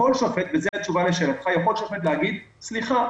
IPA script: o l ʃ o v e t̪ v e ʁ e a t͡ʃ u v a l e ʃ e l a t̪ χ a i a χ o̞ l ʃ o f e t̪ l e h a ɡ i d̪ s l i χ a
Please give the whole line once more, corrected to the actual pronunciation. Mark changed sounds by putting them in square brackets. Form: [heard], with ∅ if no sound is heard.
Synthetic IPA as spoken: o l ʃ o [f] e t̪ v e [z] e a t͡ʃ u v a l e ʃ e l a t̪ χ a [j] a χ o̞ l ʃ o f e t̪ l e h a ɡ i d̪ s l i χ a

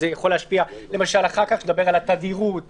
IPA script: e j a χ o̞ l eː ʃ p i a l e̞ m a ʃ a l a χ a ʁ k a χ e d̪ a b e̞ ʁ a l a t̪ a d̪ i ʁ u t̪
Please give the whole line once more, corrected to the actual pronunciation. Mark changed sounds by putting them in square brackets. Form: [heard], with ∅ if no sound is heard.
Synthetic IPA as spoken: e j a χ o̞ l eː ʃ p i a l e̞ m a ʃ a l a χ a ʁ k a χ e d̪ a b e̞ ʁ a l a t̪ a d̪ i ʁ u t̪

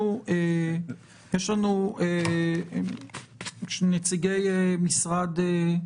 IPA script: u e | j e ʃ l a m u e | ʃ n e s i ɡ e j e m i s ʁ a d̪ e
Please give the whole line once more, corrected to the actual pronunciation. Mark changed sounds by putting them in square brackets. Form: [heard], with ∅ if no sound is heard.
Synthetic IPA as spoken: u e | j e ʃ l a [n] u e | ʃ n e [t͡s] i ɡ e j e m i s ʁ a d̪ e

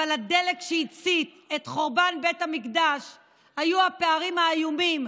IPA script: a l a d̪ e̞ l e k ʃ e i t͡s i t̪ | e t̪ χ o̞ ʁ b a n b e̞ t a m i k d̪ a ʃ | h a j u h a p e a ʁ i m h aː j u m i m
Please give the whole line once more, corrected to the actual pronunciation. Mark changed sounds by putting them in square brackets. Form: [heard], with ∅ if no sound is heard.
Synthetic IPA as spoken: a l a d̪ e̞ l e k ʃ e i t͡s i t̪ | e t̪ χ o̞ ʁ b a n b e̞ t a m i k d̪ a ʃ | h a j u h a p e a ʁ i m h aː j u m i m

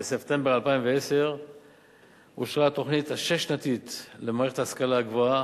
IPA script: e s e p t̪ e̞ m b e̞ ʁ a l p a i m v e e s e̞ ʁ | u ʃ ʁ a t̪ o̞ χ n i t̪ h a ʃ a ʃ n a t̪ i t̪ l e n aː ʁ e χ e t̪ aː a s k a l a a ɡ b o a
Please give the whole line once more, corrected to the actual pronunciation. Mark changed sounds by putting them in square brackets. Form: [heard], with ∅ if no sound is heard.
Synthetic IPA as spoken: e s e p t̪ e̞ m b e̞ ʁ a l p a i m v e e s e̞ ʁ | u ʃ ʁ a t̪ o̞ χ n i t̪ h a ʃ [e] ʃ n a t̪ i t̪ l e [m] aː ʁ e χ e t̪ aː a s k a l a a ɡ [v] o a

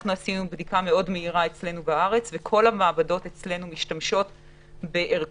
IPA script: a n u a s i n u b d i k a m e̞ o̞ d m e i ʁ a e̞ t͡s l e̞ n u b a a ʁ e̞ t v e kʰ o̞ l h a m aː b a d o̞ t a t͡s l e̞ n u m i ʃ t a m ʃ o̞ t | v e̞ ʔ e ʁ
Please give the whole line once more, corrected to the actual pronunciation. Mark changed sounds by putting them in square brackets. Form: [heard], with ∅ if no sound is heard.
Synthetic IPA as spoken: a n u a s i n u b d i k a m e̞ o̞ d m e i ʁ a e̞ t͡s l e̞ n u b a a ʁ e̞ [t͡s] v e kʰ o̞ l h a m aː b a d o̞ t [e] t͡s l e̞ n u m i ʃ t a m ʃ o̞ t | [b] e̞ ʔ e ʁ

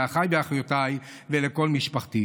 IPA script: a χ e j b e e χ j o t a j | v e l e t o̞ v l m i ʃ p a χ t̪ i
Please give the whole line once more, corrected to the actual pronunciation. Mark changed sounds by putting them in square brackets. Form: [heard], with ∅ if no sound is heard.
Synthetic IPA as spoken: a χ [a] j b e [a] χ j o t a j | v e l e [k] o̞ [∅] l m i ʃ p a χ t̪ i

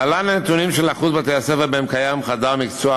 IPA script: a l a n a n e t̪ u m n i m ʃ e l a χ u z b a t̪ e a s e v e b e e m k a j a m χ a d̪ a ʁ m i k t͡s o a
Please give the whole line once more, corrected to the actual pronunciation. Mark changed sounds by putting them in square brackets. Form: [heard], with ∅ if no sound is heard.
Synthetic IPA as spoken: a l a n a n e t̪ u [∅] n i m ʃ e l a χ u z b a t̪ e a s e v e b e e m k a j a m χ a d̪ a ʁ m i k t͡s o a

